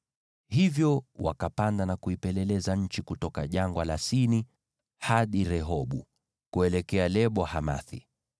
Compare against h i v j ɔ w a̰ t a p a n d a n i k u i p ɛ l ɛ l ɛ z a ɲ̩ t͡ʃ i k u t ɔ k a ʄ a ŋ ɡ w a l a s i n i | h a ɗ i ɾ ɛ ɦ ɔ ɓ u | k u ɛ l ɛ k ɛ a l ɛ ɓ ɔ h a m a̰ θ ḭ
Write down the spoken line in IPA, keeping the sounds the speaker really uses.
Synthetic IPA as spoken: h i v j ɔ w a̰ k a p a n d a n a k u i p ɛ l ɛ l ɛ z a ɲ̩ t͡ʃ i k u t ɔ k a ʄ a ŋ ɡ w a l a s i n i | h a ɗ i ɾ ɛ ɦ ɔ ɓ u | k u ɛ l ɛ k ɛ a l ɛ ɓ ɔ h a m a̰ θ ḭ